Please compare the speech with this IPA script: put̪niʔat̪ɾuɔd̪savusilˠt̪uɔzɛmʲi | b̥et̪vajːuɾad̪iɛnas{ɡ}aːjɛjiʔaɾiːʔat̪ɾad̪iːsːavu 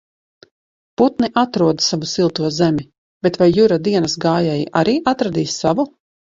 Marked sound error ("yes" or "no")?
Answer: no